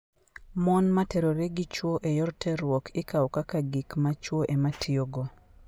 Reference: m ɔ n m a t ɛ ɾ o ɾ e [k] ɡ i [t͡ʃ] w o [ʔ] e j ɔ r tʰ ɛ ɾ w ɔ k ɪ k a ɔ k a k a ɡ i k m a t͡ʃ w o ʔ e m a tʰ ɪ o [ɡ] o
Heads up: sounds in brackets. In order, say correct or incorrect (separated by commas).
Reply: incorrect, correct, correct, correct